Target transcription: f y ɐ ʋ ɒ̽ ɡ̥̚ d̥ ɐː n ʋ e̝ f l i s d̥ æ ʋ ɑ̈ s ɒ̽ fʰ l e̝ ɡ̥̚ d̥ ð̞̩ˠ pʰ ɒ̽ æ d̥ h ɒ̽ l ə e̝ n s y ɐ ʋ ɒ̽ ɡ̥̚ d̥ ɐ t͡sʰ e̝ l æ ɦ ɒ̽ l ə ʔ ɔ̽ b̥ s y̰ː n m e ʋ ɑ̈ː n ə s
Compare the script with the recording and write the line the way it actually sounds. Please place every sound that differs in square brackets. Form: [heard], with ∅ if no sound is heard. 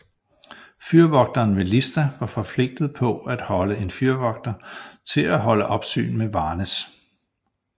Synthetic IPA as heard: f y ɐ ʋ ɒ̽ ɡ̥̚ d̥ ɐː n ʋ e̝ [∅] l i s d̥ æ ʋ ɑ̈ [f] ɒ̽ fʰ l e̝ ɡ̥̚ d̥ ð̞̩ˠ pʰ ɒ̽ æ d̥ h ɒ̽ l ə e̝ n [f] y ɐ ʋ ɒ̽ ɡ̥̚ d̥ ɐ t͡sʰ e̝ l æ ɦ ɒ̽ l ə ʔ [ɒ̽] b̥ s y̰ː n m e ʋ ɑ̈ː n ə s